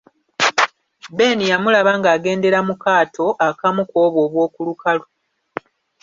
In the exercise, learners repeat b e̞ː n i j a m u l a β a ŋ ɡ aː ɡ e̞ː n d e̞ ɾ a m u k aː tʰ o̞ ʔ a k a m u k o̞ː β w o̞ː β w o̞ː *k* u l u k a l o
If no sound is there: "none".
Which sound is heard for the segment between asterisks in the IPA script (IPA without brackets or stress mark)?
k